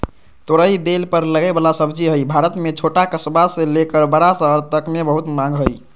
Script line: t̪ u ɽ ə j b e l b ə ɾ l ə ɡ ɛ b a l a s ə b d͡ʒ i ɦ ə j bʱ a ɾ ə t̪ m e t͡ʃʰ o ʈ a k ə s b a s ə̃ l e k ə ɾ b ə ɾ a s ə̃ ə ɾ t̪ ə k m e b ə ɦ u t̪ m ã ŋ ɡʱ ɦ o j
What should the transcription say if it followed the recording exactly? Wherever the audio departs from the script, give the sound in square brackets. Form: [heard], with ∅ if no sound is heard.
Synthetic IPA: t̪ [o] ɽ ə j b e l [p] ə ɾ l ə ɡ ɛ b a l a s ə b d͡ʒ i ɦ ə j bʱ a ɾ ə t̪ m e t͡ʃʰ o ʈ a k ə s b a s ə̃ l e k ə ɾ b ə ɾ a s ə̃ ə ɾ t̪ ə k m e b ə ɦ u t̪ m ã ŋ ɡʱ ɦ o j